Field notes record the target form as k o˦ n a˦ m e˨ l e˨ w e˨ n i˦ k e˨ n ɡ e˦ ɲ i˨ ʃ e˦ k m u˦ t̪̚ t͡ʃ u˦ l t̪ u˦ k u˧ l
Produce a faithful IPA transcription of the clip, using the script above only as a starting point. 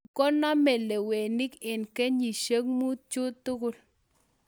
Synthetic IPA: k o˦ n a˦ m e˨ l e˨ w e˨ n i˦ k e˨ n k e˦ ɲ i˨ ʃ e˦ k m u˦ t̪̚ t͡ʃ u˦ t̪ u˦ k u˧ l

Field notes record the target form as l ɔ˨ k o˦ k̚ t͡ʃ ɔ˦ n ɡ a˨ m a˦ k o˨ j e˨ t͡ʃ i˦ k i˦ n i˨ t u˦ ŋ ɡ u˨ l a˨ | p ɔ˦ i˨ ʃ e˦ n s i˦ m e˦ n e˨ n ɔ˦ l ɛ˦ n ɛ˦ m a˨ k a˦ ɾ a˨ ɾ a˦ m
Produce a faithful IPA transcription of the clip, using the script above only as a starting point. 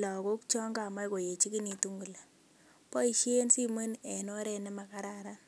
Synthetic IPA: l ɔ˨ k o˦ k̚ t͡ʃ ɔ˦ ŋ ɡ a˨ m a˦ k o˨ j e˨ t͡ʃ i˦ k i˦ n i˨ t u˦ ŋ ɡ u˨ l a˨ | p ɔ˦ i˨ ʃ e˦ n s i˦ m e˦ n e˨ n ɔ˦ ɾ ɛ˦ n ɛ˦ m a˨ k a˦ ɾ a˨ ɾ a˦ n

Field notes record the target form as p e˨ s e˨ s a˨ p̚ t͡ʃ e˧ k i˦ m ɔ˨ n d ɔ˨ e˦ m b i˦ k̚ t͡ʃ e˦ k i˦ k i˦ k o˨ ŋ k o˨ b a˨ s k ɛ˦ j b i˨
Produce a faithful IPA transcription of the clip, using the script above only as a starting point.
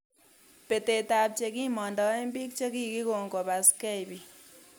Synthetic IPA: p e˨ t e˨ t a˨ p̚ t͡ʃ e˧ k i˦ m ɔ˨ n d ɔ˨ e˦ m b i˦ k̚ t͡ʃ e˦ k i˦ k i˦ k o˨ ŋ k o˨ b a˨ s k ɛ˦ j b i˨

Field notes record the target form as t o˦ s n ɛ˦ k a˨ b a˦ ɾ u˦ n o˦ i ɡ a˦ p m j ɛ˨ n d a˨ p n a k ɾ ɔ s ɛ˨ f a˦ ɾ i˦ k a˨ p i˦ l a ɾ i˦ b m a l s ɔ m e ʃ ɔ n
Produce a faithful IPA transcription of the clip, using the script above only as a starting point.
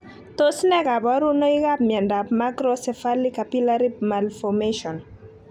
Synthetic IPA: t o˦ s n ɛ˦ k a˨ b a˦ ɾ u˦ n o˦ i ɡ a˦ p m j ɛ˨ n d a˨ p m a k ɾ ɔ s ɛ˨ f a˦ l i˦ k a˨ p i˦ l a ɾ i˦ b m a l f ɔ m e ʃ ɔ n

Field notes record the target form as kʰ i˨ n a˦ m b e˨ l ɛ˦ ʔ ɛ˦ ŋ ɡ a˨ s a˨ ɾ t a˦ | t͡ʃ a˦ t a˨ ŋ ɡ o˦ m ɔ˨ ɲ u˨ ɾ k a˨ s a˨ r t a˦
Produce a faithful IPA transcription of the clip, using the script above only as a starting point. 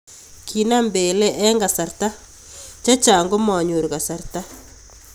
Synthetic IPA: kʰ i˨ n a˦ m b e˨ l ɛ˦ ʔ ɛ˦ ŋ ɡ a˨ s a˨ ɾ t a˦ | t͡ʃ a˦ t͡ʃ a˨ ŋ ɡ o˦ m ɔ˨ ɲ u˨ ɾ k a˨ s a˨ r t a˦

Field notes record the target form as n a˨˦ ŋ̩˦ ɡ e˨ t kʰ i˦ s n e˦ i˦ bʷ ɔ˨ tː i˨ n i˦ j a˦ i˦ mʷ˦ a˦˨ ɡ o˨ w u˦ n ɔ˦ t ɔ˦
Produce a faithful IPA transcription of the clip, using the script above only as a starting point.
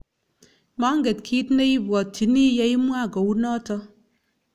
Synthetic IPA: m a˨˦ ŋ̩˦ ɡ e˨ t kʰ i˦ t n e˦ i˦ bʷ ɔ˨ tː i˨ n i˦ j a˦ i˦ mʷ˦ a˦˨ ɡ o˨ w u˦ n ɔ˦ t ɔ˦

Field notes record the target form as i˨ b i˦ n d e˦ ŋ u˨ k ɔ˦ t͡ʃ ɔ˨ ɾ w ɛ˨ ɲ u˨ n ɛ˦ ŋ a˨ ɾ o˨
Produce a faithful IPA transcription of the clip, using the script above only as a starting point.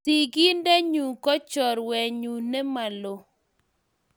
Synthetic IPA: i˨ ɡ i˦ n d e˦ ɲ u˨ k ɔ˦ t͡ʃ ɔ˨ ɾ w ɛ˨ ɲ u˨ n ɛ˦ m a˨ l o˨

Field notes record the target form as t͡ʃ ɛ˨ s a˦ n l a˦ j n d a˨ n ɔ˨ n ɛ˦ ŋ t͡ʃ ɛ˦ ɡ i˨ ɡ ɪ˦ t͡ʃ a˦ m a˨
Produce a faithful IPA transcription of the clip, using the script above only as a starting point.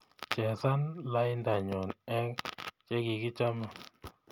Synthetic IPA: t͡ʃ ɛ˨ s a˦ n l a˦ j n d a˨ ɲ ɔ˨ n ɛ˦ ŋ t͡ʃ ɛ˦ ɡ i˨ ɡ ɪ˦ t͡ʃ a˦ m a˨

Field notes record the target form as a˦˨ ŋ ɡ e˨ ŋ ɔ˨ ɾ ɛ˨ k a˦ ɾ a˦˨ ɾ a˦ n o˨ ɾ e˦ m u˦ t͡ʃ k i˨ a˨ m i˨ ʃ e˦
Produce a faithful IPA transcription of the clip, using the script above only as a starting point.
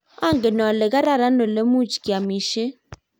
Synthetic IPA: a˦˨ ŋ ɡ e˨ n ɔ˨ l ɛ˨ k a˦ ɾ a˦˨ ɾ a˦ n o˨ l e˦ m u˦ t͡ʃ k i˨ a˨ m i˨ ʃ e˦

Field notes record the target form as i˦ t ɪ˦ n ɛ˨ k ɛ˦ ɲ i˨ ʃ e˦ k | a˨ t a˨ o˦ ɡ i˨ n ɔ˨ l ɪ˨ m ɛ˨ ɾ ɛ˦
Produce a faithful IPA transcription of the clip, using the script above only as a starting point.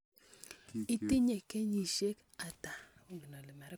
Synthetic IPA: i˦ t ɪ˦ ɲ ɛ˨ k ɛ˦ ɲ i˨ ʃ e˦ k | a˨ t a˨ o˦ ɡ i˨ n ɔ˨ l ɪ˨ m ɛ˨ ɾ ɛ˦

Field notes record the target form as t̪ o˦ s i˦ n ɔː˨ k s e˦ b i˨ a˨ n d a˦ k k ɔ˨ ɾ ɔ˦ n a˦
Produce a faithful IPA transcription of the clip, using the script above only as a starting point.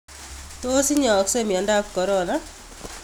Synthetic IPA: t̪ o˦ s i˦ ɲ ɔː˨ k s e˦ m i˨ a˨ n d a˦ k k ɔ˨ ɾ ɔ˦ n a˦

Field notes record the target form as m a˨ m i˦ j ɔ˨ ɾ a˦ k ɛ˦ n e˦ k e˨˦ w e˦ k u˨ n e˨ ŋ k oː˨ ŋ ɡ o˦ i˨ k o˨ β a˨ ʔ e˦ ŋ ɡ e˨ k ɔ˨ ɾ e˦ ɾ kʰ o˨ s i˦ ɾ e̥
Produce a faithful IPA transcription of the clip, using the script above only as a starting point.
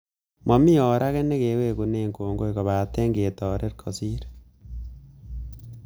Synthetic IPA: m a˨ m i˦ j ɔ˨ ɾ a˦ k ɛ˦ n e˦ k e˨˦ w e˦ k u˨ n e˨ ŋ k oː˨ ŋ ɡ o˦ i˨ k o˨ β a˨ t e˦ ŋ ɡ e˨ t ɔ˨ ɾ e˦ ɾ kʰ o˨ s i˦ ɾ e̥

